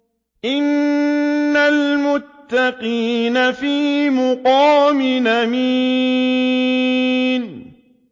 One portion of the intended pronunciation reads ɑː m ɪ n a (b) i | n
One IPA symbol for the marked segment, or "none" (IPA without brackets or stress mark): m